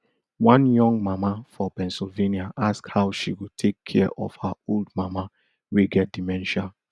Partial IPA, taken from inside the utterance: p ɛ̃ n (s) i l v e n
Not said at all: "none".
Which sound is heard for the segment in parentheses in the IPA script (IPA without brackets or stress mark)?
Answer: s